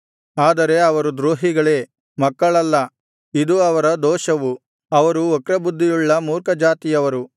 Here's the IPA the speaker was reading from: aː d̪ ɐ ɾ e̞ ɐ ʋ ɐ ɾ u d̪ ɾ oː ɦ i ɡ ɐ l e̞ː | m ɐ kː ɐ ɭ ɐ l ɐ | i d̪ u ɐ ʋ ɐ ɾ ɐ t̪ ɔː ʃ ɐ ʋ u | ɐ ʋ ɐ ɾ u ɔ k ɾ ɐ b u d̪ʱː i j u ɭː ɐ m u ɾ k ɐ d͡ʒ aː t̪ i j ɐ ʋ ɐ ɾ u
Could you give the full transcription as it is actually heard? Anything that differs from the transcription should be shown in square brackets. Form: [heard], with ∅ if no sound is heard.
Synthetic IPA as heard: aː d̪ ɐ ɾ e̞ ɐ ʋ ɐ ɾ u d̪ ɾ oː ɦ i ɡ ɐ [ɭ] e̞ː | m ɐ kː ɐ ɭ ɐ [lː] ɐ | i d̪ u ɐ ʋ ɐ ɾ ɐ [d̪] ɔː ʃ ɐ ʋ u | ɐ ʋ ɐ ɾ u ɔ k ɾ ɐ b u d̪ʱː i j u ɭː ɐ m [uː] ɾ k ɐ d͡ʒ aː t̪ i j ɐ ʋ ɐ ɾ u